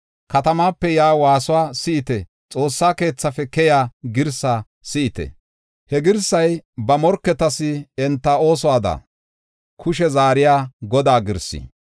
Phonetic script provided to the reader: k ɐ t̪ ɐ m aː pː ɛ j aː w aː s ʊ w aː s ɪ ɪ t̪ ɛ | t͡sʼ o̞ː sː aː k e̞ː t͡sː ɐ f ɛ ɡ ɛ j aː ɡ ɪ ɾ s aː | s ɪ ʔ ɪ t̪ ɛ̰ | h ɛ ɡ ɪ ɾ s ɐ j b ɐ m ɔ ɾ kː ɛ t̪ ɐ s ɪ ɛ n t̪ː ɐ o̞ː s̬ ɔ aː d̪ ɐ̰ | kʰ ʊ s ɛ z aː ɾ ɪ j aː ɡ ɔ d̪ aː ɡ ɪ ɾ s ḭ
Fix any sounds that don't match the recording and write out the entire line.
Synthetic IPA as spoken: k ɐ t̪ ɐ m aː pː ɛ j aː w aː s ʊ w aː s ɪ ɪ t̪ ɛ | t͡sʼ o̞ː sː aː k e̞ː t͡sː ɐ f ɛ k ɛ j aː ɡ ɪ ɾ s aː | s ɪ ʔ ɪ t̪ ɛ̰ | h ɛ ɡ ɪ ɾ s ɐ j b ɐ m ɔ ɾ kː ɛ t̪ ɐ s ɪ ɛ n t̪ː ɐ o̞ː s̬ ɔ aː d̪ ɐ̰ | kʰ ʊ ʃ ɛ z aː ɾ ɪ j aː ɡ ɔ d̪ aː ɡ ɪ ɾ s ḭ